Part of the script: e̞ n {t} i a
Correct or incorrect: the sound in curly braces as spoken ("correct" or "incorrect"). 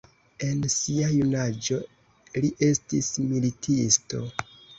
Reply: incorrect